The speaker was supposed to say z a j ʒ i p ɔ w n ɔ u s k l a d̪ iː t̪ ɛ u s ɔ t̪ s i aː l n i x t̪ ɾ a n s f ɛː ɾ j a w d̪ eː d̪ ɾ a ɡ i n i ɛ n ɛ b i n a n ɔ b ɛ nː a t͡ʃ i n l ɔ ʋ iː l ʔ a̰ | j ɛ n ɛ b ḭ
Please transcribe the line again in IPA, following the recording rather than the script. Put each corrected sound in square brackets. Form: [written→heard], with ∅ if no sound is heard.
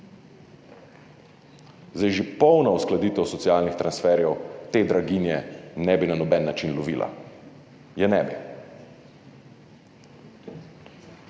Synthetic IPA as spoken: z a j ʒ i p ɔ w n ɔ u s k l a d̪ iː t̪ ɛ [u→w] s ɔ t̪ s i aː l n i x t̪ ɾ a n s f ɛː ɾ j [a→ɛ] w [d̪→t̪] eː d̪ ɾ a ɡ i n [i→j] ɛ n ɛ b i n a n ɔ b ɛ nː a t͡ʃ i n l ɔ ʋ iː l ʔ a̰ | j ɛ n ɛ b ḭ